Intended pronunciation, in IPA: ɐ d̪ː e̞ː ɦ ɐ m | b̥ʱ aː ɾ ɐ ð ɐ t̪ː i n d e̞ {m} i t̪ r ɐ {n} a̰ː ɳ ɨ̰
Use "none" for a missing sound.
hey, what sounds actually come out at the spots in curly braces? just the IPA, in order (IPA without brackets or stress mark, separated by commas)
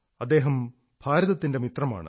m, m